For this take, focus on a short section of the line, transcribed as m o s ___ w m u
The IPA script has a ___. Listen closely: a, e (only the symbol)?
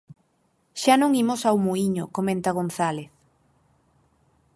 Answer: a